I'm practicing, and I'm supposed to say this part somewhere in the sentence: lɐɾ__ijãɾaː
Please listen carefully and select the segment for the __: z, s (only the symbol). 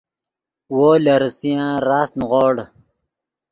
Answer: s